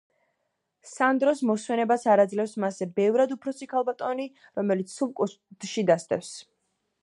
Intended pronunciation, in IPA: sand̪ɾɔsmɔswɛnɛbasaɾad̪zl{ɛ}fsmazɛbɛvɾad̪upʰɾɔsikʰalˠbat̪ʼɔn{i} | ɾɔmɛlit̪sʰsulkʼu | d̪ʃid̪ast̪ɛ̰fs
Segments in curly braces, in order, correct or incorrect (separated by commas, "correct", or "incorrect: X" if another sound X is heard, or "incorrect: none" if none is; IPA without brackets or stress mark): correct, correct